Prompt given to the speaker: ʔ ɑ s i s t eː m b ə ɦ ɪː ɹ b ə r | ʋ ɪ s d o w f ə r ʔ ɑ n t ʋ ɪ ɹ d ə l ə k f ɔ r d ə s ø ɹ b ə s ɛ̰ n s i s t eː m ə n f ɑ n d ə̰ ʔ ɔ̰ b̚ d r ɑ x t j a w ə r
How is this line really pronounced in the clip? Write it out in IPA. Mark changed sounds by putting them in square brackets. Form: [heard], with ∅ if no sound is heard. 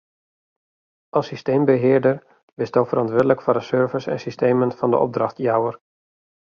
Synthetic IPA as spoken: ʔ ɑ s i s t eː m b ə ɦ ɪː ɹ [d] ə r | ʋ ɪ s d o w f ə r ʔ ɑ n t ʋ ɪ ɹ d ə l ə k f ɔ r d ə s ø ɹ [v] ə s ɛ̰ n s i s t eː m ə n f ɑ n d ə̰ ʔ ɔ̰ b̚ d r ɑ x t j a w ə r